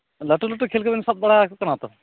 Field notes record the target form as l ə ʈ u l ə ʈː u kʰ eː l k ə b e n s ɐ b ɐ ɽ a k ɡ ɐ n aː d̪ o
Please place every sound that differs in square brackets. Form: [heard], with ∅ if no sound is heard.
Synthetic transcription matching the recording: l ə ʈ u l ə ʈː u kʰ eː l k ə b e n s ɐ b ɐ ɽ a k [k] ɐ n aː [t̪] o